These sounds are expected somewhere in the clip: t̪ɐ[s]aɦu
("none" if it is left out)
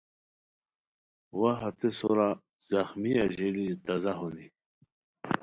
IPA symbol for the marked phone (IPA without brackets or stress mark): z